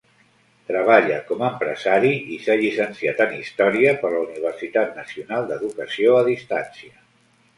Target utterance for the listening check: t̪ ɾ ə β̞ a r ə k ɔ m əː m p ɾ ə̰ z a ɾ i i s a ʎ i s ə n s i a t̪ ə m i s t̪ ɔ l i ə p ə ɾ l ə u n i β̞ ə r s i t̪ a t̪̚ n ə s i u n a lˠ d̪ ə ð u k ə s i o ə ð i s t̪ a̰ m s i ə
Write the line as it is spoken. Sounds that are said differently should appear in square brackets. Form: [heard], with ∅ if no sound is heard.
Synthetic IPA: t̪ ɾ ə β̞ a [ʎ] ə k ɔ m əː m p ɾ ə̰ z a ɾ i i s a ʎ i s ə n s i a t̪ ə [n] i s t̪ ɔ [ɾ] i ə p ə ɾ l ə u n i β̞ ə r s i t̪ a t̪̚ n ə s i u n a lˠ d̪ ə ð u k ə s i o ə ð i s t̪ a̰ [n] s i ə